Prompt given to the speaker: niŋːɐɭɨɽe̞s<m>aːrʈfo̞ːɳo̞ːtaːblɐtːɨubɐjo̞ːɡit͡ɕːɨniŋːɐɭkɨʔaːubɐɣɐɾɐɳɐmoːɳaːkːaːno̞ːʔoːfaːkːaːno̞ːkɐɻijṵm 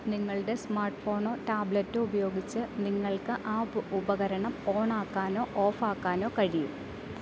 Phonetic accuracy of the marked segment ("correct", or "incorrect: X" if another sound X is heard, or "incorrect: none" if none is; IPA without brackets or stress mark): correct